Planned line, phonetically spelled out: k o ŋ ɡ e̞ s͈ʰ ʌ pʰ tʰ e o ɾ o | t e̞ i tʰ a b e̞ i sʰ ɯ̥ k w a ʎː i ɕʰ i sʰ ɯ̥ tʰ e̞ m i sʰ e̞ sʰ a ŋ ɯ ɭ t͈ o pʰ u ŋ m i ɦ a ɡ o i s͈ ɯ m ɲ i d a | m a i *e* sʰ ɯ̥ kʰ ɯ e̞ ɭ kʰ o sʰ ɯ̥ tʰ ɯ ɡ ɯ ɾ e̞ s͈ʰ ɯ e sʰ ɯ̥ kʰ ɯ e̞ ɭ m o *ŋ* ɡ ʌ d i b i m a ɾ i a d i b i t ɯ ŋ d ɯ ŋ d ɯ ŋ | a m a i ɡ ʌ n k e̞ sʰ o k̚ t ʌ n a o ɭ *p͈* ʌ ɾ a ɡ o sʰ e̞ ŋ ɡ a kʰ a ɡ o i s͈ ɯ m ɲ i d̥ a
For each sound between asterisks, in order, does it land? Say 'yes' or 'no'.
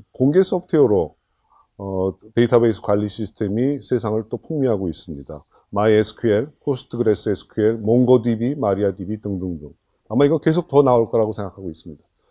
yes, yes, no

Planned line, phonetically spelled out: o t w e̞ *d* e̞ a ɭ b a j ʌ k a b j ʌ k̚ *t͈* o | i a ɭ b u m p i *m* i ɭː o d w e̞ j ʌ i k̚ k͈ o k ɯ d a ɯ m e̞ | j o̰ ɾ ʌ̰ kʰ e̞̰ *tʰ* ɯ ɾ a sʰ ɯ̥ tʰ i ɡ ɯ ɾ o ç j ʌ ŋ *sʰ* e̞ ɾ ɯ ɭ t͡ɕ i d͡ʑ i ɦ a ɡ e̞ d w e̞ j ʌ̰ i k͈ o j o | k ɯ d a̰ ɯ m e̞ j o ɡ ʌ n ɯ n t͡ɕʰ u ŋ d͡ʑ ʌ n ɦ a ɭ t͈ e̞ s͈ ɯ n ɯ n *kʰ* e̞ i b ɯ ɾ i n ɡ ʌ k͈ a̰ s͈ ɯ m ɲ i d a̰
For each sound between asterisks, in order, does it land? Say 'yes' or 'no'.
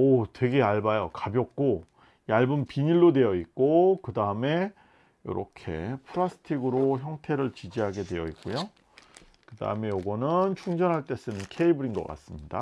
no, no, no, no, no, yes

